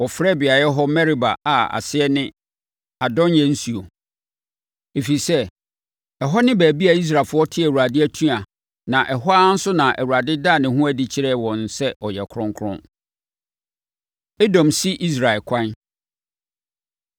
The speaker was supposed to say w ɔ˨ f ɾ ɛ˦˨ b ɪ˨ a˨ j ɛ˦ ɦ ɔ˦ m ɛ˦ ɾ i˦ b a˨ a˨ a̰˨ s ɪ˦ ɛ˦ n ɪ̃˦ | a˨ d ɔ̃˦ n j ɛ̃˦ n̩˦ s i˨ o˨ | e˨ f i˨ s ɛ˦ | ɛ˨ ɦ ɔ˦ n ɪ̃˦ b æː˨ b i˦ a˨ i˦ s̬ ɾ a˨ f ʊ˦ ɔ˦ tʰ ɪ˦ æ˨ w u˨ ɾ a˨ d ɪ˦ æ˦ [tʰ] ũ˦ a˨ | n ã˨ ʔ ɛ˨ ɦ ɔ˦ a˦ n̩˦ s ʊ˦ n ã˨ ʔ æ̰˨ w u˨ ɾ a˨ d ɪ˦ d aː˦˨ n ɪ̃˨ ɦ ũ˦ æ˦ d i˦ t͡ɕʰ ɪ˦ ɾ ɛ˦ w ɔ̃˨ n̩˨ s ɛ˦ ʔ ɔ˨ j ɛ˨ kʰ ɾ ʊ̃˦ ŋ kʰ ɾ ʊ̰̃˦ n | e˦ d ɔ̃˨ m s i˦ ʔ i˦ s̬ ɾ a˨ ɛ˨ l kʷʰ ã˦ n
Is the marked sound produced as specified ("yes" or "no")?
yes